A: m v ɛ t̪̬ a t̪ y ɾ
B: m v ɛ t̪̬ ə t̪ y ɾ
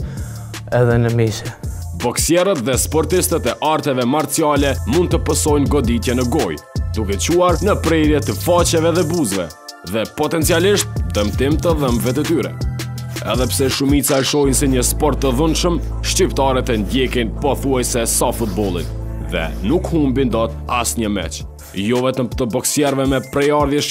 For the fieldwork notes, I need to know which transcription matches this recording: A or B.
B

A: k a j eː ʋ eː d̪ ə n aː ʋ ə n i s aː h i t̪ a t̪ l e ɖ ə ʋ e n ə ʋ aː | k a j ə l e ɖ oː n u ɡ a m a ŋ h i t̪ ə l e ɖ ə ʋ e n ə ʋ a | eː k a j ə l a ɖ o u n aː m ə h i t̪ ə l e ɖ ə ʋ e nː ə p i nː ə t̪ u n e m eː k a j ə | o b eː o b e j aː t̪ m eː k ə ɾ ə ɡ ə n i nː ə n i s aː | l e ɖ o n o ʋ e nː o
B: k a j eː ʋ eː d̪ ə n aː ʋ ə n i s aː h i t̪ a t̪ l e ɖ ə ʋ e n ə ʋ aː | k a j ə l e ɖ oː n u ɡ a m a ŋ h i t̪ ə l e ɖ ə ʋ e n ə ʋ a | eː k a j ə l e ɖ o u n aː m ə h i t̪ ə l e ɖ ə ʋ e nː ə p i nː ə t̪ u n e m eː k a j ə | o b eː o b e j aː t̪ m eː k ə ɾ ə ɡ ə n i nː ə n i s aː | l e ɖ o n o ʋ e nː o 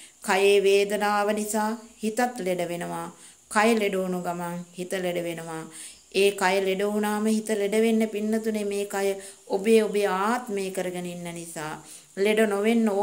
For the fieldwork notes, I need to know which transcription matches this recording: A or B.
B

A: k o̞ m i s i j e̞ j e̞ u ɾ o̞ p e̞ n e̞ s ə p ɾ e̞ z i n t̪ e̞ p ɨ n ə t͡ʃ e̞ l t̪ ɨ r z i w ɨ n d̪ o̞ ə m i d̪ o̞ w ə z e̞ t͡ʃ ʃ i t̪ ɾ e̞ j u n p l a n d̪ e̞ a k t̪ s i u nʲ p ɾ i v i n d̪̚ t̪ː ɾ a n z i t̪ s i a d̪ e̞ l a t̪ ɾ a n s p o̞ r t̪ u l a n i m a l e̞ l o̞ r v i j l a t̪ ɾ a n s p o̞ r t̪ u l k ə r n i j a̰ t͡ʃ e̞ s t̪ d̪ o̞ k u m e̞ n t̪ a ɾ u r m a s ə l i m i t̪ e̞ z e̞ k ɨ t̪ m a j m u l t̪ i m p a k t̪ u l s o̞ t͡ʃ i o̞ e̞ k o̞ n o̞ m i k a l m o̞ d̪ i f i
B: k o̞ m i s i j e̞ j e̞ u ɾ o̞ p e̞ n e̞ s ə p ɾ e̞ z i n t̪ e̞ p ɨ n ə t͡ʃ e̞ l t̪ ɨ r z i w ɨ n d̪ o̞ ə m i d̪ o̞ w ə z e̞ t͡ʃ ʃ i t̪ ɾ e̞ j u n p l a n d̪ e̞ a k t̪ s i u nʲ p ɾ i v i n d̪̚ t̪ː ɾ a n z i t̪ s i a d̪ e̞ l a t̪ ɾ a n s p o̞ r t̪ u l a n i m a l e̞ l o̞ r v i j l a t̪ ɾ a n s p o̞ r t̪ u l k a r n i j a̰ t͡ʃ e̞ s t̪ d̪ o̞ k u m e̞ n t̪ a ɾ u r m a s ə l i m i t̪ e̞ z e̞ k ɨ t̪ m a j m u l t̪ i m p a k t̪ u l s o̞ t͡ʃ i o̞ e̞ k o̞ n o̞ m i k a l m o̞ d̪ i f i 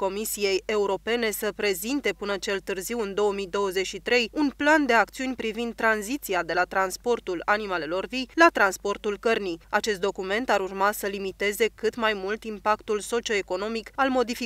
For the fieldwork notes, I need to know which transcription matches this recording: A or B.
A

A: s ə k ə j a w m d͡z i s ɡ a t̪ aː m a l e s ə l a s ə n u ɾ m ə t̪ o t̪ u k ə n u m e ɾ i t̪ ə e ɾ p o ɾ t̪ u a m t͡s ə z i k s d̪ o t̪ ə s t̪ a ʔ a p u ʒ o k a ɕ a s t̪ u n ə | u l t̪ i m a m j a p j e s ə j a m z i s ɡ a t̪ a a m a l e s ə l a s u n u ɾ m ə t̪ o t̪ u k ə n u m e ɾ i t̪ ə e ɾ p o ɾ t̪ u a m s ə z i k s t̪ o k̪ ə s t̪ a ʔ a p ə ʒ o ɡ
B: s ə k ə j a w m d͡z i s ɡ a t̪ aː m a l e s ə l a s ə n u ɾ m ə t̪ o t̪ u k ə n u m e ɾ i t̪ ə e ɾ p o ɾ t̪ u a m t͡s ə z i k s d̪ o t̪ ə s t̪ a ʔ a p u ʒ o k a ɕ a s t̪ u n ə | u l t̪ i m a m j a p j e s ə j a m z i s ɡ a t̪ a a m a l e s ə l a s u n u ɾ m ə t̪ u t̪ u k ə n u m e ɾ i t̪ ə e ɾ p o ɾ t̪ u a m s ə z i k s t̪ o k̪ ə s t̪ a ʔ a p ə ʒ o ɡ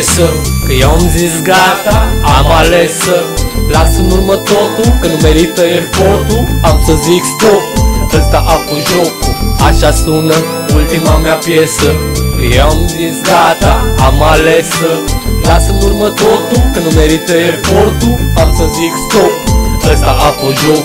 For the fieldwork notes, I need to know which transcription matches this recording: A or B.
A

